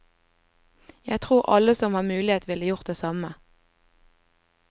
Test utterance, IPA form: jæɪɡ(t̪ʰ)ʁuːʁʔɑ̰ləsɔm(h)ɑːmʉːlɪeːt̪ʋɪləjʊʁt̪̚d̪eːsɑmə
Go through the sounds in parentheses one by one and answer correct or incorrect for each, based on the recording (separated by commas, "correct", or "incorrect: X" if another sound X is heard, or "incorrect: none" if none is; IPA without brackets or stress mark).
correct, correct